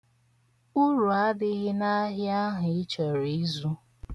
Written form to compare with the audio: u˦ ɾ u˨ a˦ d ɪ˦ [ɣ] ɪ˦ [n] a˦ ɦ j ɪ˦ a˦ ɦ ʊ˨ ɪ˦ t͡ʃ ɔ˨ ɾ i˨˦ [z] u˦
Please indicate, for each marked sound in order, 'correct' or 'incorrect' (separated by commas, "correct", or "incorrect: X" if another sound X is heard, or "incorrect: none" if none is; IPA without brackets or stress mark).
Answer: correct, correct, correct